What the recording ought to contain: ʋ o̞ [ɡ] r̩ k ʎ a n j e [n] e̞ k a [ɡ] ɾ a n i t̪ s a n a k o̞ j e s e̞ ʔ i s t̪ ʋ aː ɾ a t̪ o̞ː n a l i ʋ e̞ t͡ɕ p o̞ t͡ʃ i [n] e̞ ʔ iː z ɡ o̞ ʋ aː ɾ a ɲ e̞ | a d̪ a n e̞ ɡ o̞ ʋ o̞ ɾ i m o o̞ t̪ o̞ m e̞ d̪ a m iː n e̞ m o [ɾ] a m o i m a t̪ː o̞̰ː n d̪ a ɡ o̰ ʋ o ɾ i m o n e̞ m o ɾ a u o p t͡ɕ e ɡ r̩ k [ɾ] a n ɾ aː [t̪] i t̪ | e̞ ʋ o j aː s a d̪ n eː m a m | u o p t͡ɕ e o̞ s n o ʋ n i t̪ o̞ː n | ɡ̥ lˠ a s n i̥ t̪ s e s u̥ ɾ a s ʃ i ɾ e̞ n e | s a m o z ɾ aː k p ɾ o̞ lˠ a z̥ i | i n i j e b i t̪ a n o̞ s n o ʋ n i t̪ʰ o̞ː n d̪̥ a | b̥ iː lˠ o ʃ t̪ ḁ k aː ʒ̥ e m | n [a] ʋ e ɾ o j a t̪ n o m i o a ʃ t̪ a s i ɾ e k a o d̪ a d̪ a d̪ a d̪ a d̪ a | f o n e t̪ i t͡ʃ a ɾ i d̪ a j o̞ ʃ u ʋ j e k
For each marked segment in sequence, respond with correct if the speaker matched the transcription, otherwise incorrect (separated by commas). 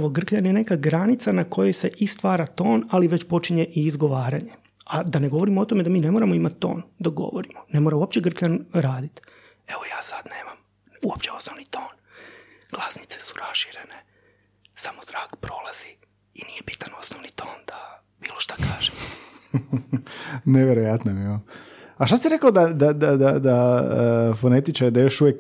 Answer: correct, correct, correct, incorrect, correct, incorrect, incorrect, incorrect